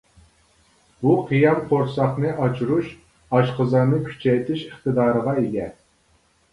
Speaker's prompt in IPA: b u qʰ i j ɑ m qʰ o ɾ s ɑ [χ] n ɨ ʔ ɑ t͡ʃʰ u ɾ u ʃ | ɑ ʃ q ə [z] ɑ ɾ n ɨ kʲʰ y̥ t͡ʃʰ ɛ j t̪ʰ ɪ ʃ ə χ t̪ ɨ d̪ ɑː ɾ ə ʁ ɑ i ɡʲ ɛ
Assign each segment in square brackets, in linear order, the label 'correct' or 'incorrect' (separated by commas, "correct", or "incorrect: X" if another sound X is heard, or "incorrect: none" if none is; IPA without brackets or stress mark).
correct, correct